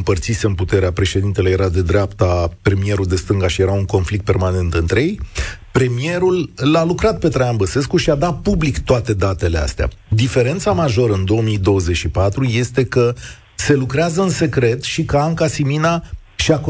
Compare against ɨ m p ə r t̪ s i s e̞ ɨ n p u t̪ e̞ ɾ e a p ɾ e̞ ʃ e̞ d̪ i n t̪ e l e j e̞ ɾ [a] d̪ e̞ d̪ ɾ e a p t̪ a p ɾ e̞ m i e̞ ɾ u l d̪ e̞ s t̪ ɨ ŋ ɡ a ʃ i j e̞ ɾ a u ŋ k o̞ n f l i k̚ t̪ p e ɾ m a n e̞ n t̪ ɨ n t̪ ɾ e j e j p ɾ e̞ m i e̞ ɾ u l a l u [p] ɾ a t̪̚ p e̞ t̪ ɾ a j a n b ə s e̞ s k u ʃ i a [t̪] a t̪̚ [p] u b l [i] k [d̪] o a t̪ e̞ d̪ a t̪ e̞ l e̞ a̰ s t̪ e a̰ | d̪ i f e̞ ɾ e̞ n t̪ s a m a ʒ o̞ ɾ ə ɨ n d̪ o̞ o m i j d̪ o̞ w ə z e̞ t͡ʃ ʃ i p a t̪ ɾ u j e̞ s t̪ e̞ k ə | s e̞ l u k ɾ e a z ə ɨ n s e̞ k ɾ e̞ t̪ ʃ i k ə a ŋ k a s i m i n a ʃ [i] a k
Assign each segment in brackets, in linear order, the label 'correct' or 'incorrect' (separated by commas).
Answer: correct, incorrect, incorrect, correct, correct, incorrect, correct